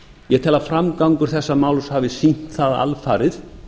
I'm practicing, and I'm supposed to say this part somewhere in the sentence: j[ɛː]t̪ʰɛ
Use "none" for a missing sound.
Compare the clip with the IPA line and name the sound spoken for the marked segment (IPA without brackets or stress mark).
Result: ɛ